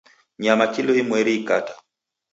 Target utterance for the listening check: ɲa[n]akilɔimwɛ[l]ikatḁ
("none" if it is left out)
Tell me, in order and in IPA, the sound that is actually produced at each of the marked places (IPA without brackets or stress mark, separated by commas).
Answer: m, ɾ